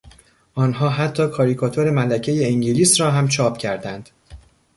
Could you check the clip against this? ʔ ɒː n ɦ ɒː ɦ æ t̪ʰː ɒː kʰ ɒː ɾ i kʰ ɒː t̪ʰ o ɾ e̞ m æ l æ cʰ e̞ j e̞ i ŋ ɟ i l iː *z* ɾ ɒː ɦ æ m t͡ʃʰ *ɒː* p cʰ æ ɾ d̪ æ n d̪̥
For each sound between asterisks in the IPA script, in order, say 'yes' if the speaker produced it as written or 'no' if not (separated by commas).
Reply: no, yes